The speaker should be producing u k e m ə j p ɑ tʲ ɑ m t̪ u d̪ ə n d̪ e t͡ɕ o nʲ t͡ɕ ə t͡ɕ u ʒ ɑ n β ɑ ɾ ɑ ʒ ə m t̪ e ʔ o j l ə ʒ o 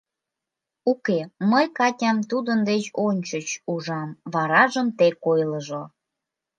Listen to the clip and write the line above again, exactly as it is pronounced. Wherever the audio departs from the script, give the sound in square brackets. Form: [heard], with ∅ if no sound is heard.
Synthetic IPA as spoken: u k e m ə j [k] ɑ tʲ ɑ m t̪ u d̪ ə n d̪ e t͡ɕ o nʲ t͡ɕ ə t͡ɕ u ʒ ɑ [m] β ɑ ɾ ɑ ʒ ə m t̪ e [k] o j l ə ʒ o